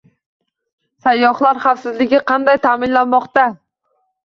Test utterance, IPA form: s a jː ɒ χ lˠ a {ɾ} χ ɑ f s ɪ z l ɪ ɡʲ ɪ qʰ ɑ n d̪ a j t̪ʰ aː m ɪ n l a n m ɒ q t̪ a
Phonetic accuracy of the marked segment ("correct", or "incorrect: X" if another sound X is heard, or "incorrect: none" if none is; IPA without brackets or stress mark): correct